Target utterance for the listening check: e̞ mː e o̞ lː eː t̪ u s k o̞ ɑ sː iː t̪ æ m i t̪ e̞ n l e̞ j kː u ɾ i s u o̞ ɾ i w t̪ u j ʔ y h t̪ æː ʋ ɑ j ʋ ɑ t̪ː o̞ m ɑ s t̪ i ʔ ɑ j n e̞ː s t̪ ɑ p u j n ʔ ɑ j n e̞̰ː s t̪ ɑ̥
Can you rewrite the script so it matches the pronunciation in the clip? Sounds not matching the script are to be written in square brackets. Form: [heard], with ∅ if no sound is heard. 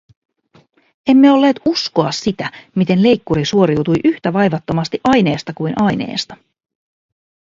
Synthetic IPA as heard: e̞ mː e o̞ lː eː t̪ u s k o̞ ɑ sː [i] t̪ æ m i t̪ e̞ n l e̞ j kː u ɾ i s u o̞ ɾ i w t̪ u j ʔ y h t̪ [æ] ʋ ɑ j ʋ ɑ t̪ː o̞ m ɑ s t̪ i ʔ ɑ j n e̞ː s t̪ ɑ [k] u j n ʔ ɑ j n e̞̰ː s t̪ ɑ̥